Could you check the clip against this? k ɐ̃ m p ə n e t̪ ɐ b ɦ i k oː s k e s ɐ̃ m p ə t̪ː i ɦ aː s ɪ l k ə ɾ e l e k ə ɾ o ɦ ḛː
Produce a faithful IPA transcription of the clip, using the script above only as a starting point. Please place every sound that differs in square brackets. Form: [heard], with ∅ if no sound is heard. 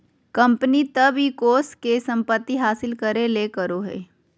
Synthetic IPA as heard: k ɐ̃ m p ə n [i] t̪ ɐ b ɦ i k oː s k e s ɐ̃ m p ə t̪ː i ɦ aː s ɪ l k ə ɾ e l e k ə ɾ o ɦ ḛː